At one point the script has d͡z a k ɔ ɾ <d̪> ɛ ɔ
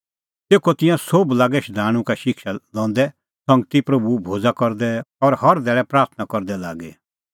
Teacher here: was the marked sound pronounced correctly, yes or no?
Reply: yes